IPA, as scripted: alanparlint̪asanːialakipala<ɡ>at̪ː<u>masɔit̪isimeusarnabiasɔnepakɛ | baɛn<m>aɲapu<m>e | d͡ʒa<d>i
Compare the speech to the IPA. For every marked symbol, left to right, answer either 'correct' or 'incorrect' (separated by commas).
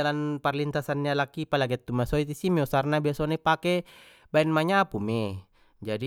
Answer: correct, correct, correct, correct, correct